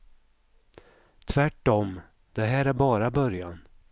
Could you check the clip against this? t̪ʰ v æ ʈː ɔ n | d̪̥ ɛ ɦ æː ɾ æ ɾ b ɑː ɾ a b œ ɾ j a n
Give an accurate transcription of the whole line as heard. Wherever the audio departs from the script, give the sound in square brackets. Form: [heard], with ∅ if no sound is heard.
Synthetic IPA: t̪ʰ v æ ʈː ɔ [m] | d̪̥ ɛ ɦ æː ɾ æ ɾ b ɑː ɾ a b œ ɾ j a n